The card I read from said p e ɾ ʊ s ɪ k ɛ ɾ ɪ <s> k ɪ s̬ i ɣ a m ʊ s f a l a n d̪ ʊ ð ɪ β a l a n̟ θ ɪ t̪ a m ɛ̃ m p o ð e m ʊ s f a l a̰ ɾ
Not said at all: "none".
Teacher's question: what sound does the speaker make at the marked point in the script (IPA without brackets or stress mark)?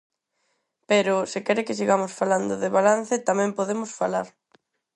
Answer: none